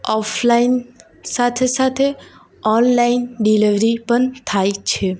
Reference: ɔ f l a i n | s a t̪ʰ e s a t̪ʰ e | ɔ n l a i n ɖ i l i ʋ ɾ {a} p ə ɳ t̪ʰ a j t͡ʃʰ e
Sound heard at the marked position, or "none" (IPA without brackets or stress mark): i